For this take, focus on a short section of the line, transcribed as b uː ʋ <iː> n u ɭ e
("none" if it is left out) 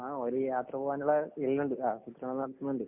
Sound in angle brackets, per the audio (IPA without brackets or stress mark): aː